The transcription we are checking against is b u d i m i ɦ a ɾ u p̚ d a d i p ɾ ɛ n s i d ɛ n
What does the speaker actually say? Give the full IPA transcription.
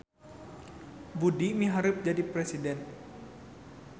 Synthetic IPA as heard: b u d i m i ɦ a ɾ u p̚ d͡ʒ a d i p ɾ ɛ s i d ɛ n

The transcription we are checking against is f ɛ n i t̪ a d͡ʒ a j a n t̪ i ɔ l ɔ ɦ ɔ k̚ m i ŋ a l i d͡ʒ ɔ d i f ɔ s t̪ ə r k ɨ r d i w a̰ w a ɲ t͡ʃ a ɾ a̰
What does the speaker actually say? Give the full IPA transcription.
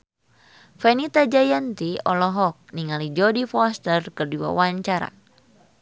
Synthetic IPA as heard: f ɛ n i t̪ a d͡ʒ a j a n t̪ i ɔ l ɔ ɦ ɔ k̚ n i ŋ a l i d͡ʒ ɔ d i f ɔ s t̪ ə r k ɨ r d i w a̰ w a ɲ t͡ʃ a ɾ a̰

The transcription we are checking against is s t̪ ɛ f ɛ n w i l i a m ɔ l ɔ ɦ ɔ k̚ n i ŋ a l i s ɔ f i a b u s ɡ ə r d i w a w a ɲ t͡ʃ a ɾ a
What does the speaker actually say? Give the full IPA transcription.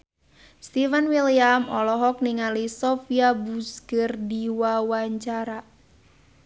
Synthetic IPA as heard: s t̪ i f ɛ n w i l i a m ɔ l ɔ ɦ ɔ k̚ n i ŋ a l i s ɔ f i a b u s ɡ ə r d i w a w a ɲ t͡ʃ a ɾ a

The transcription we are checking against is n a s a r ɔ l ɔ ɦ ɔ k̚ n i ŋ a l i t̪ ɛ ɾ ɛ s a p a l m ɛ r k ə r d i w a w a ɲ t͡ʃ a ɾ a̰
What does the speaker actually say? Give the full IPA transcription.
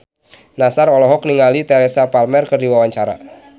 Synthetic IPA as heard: n a s a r ɔ l ɔ ɦ ɔ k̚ n i ŋ a l i t̪ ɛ ɾ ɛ s a p a l m ɛ r k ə r d i w a w a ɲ t͡ʃ a ɾ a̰

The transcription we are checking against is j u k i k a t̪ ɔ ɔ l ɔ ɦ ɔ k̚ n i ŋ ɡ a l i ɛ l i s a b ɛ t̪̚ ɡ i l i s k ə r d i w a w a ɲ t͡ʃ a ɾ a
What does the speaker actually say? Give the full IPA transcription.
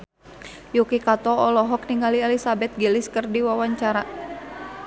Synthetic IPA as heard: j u k i k a t̪ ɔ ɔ l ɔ ɦ ɔ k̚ n i ŋ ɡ a l i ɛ l i s a b ɛ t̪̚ ɡ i l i s k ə r d i w a w a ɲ t͡ʃ a ɾ a

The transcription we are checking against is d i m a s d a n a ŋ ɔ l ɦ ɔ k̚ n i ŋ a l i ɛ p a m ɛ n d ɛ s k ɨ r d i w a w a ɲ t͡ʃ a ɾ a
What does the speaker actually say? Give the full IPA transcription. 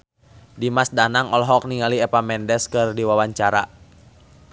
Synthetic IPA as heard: d i m a s d a n a ŋ ɔ l ɦ ɔ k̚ n i ŋ a l i ɛ p a m ɛ n d ɛ s k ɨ r d i w a w a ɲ t͡ʃ a ɾ a

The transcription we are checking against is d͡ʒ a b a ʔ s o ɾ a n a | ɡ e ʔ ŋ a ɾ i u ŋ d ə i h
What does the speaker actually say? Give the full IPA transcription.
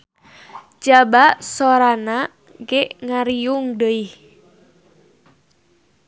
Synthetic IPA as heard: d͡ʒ a b a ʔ s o ɾ a n a | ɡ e ʔ ŋ a ɾ i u ŋ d ə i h

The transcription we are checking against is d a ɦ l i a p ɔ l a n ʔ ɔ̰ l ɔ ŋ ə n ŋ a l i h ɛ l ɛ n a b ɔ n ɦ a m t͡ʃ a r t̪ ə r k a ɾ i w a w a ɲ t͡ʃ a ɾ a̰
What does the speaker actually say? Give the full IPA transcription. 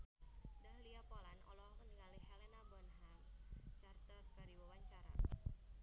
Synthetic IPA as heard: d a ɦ l i a p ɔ l a n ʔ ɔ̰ l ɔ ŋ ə n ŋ a l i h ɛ l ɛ n a b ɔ n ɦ a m t͡ʃ a r t̪ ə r k a ɾ i w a w a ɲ t͡ʃ a ɾ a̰

